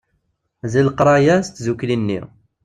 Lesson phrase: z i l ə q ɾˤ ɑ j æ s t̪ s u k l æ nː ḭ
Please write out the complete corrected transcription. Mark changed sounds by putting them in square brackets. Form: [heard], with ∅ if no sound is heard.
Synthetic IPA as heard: z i l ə q ɾˤ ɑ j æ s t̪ [z] u k l [i] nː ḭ

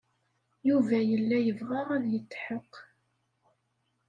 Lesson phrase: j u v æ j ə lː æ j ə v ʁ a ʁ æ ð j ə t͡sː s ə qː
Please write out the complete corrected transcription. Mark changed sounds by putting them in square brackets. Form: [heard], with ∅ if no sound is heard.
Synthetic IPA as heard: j u v æ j ə lː æ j ə v ʁ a ʁ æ ð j ə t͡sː [ħ] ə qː

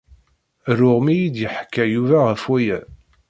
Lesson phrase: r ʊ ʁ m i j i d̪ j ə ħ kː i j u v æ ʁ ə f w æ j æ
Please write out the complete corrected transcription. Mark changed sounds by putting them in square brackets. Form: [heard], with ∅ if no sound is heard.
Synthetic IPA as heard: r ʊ ʁ m i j i d̪ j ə ħ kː [æ] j u v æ ʁ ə f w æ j æ

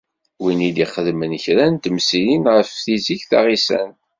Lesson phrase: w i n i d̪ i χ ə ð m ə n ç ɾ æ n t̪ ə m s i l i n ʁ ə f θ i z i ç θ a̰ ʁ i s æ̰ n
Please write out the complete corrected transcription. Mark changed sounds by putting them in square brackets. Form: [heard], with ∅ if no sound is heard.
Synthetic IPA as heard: w i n i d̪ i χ ə ð m ə n ç ɾ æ n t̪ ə m s i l i n ʁ ə f θ i z i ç θ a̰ ʁ i s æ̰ n

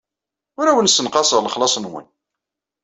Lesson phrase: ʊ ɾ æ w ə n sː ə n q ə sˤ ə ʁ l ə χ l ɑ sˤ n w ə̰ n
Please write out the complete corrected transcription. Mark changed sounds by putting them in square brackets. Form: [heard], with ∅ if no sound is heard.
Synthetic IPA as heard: ʊ ɾ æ w ə n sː ə n q [ɑ] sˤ ə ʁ l ə χ l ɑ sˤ n w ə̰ n

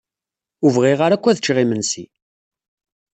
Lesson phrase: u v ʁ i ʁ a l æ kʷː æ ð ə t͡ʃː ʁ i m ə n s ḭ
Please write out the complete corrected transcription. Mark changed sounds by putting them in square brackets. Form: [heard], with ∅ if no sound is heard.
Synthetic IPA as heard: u v ʁ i ʁ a [ɾ] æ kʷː æ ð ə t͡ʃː ʁ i m ə n s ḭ

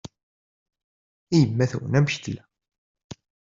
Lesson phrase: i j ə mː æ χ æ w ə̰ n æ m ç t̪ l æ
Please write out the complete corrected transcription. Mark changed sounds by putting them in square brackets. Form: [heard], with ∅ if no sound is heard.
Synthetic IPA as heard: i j ə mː æ [θ] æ w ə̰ n æ m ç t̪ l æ

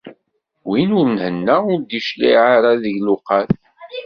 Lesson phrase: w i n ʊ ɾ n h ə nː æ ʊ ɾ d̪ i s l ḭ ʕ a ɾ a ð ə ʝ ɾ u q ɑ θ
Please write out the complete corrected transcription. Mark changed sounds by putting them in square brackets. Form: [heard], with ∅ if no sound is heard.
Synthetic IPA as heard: w i n ʊ ɾ n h ə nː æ ʊ ɾ d̪ i [ʃ] l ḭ ʕ a ɾ a ð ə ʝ [l] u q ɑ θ

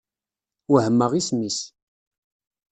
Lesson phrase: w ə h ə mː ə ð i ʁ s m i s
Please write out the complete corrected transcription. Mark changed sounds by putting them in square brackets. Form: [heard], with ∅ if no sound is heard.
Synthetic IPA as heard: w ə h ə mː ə [ʁ] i [∅] s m i s

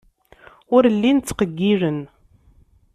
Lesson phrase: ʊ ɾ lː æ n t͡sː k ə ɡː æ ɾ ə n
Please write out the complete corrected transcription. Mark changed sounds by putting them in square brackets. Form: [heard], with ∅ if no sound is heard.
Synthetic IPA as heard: ʊ ɾ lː [i] n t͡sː [q] ə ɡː [i] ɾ ə n

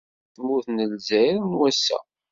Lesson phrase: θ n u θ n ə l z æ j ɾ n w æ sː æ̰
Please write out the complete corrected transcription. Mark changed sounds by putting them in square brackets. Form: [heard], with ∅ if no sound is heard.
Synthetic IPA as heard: θ [m] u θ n ə l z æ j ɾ n w æ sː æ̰

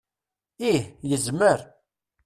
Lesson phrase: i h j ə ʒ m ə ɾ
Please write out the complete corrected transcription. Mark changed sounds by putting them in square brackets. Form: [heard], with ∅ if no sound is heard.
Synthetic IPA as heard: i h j ə [z] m ə ɾ

